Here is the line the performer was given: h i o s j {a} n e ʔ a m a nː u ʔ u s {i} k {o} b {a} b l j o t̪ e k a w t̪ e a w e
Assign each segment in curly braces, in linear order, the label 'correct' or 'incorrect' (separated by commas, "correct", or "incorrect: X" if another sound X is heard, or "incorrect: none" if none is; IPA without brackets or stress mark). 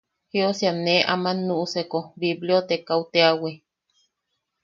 correct, incorrect: e, correct, incorrect: i